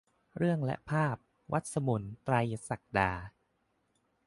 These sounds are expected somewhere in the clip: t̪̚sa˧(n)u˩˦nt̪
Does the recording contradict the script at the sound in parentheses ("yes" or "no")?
yes